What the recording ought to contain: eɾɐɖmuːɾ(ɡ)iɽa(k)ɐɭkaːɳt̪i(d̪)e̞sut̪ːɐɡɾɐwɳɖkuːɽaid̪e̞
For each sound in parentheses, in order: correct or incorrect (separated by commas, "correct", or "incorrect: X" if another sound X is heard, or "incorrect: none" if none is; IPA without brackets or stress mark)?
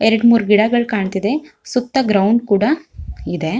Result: correct, incorrect: ɡ, correct